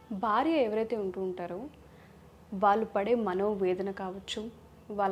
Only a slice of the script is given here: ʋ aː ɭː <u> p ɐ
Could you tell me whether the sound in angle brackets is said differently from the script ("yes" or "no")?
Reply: no